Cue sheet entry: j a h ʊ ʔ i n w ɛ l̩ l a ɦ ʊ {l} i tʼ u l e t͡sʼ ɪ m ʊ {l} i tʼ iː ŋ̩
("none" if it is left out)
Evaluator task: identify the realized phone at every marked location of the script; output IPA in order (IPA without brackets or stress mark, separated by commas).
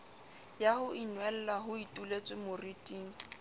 none, r